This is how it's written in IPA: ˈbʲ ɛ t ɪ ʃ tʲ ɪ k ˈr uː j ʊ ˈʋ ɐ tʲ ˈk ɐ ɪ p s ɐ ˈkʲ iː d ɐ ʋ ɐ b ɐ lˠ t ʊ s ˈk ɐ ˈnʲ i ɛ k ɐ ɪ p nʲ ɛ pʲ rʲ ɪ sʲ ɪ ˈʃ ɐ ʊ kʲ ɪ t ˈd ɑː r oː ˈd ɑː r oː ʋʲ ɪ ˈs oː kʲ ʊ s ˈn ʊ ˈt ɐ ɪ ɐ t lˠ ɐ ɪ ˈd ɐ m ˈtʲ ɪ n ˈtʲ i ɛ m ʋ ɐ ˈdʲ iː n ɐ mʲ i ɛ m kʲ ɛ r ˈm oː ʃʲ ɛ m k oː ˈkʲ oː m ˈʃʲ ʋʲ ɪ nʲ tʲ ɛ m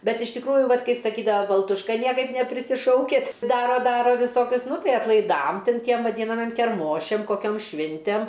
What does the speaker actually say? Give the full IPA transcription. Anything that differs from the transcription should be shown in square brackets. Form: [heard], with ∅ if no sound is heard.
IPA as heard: ˈbʲ ɛ t ɪ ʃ tʲ ɪ k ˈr uː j ʊ ˈʋ ɐ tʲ ˈk ɐ ɪ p s ɐ ˈkʲ iː d ɐ ʋ ɐ b ɐ lˠ t ʊ [ʃ] ˈk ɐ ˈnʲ i ɛ k ɐ ɪ p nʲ ɛ pʲ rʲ ɪ sʲ ɪ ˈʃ ɐ ʊ kʲ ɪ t ˈd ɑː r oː ˈd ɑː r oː ʋʲ ɪ ˈs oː kʲ ʊ s ˈn ʊ ˈt ɐ ɪ ɐ t lˠ ɐ ɪ ˈd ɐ m ˈtʲ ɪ n ˈtʲ i ɛ m ʋ ɐ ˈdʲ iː n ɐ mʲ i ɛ m kʲ ɛ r ˈm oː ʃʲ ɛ m k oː ˈkʲ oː m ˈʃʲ ʋʲ ɪ nʲ tʲ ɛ m